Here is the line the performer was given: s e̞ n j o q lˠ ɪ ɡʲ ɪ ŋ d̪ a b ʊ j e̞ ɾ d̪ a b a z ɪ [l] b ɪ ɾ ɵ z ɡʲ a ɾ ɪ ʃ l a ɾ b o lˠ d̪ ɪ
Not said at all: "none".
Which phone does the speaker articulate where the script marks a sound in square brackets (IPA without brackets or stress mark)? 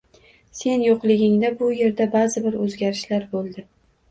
none